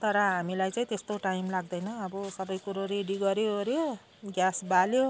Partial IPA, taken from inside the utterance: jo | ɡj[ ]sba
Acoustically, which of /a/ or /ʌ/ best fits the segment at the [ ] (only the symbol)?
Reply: a